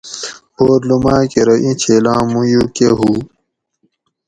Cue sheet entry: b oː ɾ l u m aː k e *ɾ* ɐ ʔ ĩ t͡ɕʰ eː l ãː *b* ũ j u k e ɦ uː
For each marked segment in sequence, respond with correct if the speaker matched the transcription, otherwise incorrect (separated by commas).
correct, incorrect